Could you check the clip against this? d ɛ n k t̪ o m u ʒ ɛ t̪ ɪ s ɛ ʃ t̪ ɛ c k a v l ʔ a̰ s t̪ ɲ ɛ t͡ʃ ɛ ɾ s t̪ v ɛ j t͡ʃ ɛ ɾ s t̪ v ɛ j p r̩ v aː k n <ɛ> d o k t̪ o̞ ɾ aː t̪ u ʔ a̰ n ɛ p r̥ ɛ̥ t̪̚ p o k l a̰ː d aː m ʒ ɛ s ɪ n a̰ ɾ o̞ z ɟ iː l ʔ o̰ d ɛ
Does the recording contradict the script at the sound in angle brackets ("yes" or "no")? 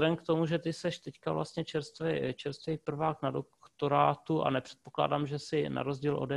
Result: yes